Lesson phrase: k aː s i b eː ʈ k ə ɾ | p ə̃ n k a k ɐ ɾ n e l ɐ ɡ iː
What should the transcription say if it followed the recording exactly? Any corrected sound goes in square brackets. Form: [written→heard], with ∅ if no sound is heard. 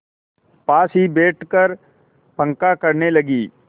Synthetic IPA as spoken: [k→p] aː s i b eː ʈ k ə ɾ | p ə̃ [n→ŋ] k a k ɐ ɾ n e l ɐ ɡ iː